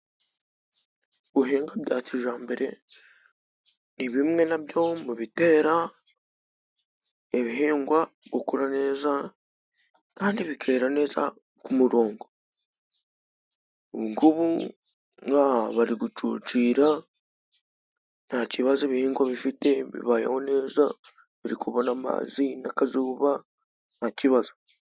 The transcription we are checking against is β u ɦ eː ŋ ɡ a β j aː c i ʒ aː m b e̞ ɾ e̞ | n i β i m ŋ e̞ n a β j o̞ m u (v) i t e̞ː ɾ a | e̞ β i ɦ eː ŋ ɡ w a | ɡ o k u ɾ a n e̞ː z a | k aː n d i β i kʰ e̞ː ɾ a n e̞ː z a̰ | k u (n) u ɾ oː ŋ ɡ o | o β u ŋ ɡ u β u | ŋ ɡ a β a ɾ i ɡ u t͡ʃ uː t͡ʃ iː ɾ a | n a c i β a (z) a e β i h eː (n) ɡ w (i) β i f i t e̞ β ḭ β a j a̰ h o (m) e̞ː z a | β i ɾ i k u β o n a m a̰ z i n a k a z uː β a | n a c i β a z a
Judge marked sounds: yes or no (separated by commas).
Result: no, no, yes, no, no, no